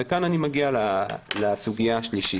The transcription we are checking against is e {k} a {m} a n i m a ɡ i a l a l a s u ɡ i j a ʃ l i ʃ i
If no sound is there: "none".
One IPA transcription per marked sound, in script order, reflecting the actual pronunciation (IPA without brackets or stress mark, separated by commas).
k, n